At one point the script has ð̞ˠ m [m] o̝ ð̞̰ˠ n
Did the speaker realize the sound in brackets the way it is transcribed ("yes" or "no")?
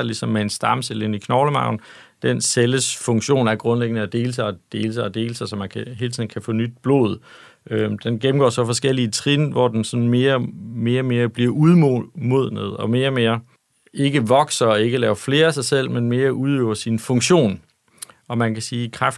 yes